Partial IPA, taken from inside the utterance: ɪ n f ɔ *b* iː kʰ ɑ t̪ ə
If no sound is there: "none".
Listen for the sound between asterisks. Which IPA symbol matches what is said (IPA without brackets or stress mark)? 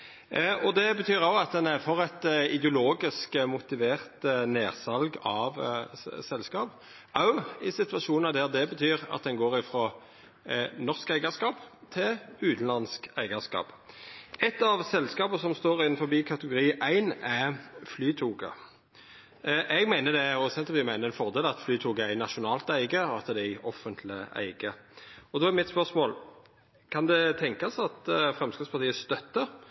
b